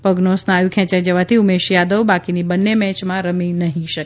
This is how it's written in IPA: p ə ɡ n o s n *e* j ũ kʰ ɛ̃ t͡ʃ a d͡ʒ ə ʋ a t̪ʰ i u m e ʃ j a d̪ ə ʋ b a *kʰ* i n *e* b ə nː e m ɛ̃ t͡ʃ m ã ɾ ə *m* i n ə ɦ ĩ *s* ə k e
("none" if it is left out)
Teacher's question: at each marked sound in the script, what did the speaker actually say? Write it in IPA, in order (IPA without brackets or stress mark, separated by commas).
a, k, i, m, ʃ